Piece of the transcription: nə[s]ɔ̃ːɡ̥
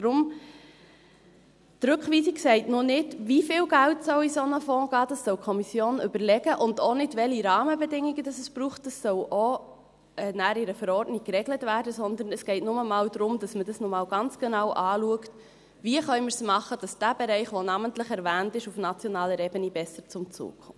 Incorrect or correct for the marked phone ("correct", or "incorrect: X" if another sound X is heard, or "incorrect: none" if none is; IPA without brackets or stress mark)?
incorrect: f